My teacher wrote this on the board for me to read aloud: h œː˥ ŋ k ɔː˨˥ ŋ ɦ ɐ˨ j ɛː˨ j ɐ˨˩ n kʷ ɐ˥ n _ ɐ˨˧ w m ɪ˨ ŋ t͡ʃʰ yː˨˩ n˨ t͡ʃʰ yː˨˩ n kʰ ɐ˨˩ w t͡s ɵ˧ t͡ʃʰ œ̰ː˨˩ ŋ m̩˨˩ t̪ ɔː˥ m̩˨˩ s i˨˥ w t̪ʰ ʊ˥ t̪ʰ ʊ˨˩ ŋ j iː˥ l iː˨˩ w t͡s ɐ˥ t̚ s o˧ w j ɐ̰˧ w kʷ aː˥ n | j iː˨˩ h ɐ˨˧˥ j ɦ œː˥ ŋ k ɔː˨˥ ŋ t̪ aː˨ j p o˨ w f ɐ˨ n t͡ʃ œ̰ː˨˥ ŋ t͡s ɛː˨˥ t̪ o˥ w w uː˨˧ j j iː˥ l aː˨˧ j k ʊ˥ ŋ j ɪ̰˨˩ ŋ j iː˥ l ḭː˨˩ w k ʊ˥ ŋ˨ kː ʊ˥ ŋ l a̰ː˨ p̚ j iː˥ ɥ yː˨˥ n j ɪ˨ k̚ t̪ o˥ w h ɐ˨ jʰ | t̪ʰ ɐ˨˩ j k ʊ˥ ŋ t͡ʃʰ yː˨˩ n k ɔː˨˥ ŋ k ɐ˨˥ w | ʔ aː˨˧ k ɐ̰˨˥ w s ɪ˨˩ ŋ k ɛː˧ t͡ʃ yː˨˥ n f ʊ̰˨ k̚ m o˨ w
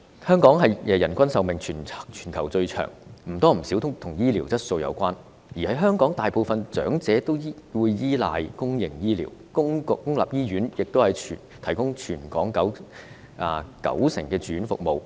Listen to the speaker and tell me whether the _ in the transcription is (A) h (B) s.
B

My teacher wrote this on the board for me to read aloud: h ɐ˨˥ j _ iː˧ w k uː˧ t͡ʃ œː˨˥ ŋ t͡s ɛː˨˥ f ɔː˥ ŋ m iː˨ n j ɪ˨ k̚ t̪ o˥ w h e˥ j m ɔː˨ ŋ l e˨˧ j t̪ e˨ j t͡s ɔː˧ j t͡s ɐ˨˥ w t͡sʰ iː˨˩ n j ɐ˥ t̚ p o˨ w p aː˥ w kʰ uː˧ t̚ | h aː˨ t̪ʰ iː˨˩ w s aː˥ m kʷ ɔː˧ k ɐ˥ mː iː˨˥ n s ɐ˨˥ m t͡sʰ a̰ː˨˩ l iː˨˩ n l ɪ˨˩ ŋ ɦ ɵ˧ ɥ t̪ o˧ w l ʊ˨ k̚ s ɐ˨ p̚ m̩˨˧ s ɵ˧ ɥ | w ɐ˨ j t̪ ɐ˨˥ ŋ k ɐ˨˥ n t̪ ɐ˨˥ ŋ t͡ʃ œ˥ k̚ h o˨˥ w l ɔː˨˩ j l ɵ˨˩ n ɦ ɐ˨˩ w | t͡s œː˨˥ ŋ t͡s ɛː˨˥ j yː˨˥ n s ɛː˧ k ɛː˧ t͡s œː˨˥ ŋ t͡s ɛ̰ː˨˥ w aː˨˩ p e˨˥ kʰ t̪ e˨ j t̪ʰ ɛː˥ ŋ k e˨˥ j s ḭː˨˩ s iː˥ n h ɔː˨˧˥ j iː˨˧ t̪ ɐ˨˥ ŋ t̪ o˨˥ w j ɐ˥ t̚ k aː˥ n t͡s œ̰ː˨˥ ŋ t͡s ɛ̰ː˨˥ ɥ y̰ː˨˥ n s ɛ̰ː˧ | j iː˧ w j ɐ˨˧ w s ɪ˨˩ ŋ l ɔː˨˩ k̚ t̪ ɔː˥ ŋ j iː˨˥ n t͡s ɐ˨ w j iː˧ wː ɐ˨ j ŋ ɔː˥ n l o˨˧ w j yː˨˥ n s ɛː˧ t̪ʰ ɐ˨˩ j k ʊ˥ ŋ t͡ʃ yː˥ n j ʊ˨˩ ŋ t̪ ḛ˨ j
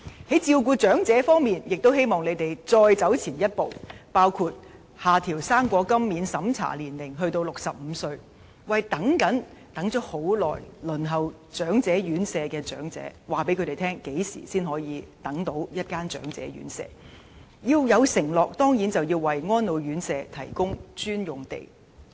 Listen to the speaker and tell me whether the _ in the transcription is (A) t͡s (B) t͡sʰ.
A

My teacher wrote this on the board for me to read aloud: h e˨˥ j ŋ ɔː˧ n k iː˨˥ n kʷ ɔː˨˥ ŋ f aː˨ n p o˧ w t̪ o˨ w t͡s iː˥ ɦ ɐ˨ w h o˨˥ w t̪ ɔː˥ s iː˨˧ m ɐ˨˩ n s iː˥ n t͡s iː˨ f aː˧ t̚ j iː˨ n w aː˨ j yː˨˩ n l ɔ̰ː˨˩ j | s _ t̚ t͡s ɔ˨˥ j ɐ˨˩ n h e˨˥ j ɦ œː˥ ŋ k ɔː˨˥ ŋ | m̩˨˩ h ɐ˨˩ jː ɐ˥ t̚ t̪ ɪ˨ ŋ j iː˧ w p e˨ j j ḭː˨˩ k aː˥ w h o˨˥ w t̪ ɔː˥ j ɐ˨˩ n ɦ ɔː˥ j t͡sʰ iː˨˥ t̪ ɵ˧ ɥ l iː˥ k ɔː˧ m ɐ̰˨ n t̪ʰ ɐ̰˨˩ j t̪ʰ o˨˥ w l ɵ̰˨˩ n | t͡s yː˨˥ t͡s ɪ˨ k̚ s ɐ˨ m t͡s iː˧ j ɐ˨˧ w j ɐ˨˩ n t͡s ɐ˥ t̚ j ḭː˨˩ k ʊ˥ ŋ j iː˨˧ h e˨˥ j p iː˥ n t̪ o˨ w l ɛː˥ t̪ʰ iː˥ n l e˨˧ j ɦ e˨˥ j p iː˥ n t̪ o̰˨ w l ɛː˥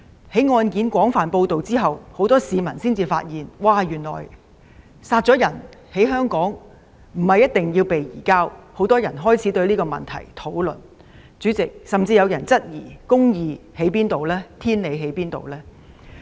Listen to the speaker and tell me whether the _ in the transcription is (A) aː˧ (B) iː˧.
A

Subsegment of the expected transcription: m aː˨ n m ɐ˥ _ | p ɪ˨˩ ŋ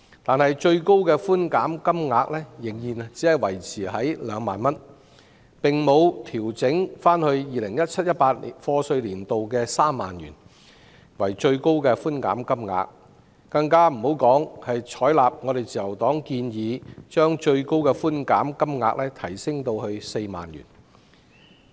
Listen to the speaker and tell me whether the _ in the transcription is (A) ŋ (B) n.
B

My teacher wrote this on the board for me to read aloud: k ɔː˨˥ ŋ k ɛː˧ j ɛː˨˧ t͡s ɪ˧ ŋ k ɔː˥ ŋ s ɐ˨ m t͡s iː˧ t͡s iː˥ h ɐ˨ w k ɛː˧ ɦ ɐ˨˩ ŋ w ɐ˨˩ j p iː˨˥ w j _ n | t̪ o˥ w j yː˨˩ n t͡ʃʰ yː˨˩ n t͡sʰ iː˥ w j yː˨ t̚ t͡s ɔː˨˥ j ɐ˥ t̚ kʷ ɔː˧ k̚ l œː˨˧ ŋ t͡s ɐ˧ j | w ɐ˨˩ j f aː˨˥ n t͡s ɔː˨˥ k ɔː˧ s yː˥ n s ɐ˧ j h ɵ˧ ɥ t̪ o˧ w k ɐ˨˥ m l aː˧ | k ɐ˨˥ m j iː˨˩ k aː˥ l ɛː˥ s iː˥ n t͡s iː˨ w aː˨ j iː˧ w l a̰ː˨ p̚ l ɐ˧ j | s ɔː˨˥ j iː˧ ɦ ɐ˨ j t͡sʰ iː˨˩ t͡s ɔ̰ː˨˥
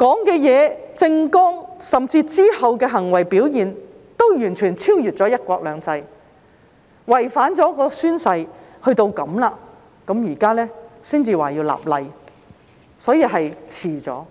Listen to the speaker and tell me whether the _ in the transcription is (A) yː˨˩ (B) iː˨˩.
B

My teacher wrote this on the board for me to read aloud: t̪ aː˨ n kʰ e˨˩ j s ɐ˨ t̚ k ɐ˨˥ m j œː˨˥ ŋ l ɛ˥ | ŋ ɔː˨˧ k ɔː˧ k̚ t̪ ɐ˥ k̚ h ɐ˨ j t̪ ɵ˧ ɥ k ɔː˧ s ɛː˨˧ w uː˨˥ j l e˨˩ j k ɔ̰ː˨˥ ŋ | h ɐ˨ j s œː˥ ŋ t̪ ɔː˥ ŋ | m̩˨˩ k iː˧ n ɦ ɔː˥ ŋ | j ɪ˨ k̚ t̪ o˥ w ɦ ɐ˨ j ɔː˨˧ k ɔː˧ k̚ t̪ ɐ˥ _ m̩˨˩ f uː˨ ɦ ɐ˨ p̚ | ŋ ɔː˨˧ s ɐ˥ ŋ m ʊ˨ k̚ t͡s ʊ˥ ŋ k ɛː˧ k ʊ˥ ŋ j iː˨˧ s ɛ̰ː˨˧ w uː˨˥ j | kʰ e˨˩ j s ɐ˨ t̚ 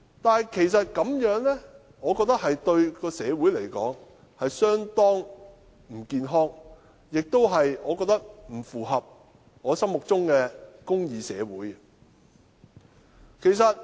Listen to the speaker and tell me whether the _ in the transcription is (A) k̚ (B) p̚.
A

